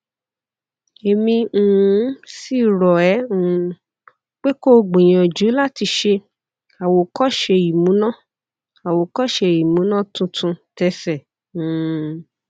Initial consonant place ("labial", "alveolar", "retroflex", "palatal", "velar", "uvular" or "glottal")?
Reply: labial